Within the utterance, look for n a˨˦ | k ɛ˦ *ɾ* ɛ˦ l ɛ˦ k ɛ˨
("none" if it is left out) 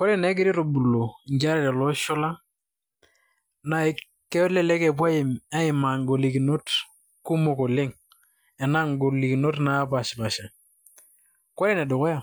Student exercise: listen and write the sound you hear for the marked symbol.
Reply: l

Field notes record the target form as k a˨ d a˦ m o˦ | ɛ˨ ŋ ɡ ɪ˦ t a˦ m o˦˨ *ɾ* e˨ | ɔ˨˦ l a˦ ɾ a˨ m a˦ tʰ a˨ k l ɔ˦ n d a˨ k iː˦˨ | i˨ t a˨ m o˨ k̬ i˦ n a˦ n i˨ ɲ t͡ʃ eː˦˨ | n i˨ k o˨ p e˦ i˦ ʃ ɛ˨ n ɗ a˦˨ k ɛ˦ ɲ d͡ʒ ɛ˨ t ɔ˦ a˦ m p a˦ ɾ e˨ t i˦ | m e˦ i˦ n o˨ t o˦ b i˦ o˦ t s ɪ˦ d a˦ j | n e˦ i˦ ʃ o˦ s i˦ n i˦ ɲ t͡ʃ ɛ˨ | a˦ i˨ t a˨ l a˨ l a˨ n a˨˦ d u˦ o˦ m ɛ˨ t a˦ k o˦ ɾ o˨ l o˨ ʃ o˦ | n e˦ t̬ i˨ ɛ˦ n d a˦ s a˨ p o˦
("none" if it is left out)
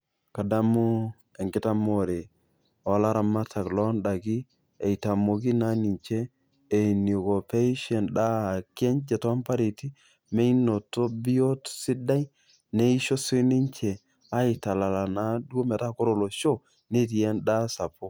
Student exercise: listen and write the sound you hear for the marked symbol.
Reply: ɾ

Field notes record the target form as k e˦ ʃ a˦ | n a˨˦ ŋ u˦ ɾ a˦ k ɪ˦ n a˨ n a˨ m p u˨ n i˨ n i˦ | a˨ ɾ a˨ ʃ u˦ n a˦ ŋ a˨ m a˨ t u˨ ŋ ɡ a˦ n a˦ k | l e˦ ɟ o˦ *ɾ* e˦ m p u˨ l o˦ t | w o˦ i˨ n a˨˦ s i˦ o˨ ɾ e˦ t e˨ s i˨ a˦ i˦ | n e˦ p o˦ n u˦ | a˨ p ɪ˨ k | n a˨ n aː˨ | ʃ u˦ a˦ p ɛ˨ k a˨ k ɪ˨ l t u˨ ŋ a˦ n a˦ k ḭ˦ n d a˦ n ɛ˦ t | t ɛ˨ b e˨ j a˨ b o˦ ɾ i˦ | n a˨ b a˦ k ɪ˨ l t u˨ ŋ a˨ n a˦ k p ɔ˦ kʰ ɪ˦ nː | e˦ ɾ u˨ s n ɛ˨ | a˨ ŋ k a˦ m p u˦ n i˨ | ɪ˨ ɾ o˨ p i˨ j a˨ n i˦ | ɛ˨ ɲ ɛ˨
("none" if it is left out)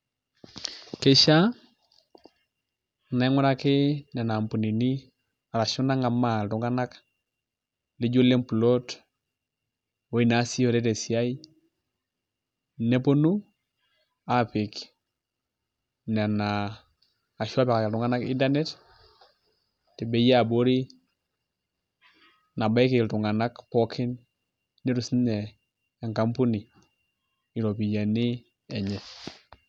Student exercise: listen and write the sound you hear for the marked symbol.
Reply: l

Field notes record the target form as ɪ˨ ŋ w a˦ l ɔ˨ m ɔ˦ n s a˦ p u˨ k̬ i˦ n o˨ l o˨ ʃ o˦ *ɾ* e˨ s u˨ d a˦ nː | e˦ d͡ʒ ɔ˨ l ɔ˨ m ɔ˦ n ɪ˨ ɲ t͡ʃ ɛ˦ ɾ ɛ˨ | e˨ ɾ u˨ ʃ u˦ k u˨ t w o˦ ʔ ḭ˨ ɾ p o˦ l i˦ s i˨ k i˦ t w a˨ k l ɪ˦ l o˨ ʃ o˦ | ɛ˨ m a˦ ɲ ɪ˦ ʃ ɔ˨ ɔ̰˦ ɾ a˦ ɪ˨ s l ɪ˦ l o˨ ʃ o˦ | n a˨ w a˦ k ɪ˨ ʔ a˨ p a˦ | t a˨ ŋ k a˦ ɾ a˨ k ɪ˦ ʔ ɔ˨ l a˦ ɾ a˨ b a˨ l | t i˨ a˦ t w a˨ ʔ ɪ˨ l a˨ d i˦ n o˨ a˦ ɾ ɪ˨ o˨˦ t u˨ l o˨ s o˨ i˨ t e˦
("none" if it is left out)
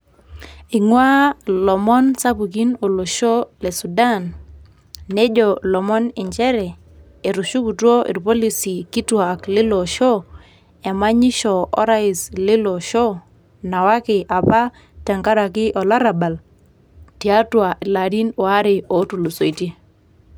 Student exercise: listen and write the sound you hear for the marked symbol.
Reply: l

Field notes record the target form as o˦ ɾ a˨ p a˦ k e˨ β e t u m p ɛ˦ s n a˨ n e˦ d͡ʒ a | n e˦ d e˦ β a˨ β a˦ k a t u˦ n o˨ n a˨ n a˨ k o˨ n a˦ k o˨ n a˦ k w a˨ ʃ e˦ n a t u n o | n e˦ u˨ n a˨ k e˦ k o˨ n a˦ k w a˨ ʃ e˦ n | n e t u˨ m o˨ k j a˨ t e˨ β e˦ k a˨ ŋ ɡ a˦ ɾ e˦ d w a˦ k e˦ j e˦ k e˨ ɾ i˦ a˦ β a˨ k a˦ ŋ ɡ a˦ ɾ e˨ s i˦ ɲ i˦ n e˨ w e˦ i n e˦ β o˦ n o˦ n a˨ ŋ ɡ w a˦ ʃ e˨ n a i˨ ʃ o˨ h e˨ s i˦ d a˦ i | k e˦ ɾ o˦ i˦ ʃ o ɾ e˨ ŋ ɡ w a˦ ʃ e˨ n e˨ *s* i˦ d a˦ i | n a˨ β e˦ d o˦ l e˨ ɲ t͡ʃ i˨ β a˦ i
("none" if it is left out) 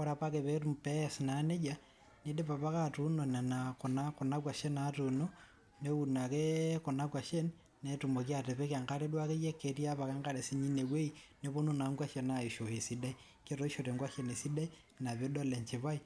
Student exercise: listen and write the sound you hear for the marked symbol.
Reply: s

